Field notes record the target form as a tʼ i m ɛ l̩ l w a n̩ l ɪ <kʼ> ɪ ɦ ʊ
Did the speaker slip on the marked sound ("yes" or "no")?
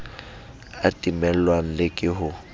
no